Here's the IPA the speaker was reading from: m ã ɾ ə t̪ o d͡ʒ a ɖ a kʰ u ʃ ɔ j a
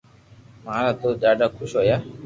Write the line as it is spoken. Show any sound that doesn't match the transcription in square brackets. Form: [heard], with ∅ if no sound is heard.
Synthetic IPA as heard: m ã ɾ [a] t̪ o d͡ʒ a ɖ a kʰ u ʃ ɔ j a